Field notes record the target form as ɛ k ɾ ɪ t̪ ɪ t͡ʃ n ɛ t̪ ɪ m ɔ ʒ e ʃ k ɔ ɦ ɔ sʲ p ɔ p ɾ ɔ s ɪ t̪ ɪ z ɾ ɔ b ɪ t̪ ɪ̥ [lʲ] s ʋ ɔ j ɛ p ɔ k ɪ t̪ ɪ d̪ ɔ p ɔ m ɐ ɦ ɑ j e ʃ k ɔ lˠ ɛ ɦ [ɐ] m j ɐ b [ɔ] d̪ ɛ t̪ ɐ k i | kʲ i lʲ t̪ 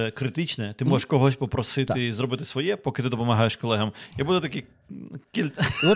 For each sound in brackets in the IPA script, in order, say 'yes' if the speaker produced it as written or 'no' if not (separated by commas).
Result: no, yes, no